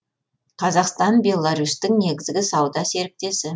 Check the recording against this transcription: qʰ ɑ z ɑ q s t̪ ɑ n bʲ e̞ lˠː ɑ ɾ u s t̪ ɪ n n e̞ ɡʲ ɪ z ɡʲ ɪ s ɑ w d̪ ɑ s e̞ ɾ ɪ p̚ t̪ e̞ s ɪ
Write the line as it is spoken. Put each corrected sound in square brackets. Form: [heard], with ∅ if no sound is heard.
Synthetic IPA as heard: qʰ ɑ z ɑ q s t̪ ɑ n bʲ e̞ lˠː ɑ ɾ u s t̪ ɪ [ŋ] n e̞ ɡʲ ɪ z ɡʲ ɪ s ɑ w d̪ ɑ s e̞ ɾ ɪ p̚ t̪ e̞ s ɪ